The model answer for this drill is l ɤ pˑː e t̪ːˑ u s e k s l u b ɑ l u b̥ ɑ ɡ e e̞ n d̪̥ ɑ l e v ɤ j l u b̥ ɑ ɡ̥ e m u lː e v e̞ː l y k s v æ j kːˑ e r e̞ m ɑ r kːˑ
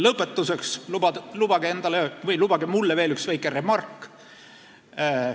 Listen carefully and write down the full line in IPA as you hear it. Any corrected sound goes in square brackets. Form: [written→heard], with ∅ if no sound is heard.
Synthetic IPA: l ɤ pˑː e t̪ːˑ u s e k s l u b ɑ l u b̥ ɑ ɡ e e̞ n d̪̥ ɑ l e v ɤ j l u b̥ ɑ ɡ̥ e m u lː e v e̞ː l y k s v æ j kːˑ e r e̞ m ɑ r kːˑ